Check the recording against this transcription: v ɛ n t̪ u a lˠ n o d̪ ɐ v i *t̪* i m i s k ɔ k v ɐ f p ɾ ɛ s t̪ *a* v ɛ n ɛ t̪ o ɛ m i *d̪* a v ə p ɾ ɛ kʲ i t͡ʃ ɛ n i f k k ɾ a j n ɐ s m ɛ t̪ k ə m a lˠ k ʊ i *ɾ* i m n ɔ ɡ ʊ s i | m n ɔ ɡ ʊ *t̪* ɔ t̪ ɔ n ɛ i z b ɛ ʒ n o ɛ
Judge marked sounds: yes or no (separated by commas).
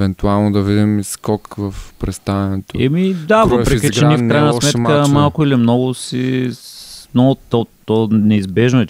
no, yes, yes, no, yes